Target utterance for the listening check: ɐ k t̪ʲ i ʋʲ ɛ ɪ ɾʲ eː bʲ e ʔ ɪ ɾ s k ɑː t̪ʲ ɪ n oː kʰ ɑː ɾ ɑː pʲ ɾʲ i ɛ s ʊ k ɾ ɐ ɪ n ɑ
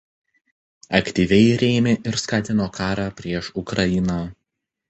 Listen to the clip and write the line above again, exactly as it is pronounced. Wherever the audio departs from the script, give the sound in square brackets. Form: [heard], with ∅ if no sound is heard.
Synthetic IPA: ɐ k t̪ʲ i ʋʲ ɛ ɪ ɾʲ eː [mʲ] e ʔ ɪ ɾ s k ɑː t̪ʲ ɪ n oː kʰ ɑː ɾ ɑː pʲ ɾʲ i ɛ [ʃ] ʊ k ɾ ɐ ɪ n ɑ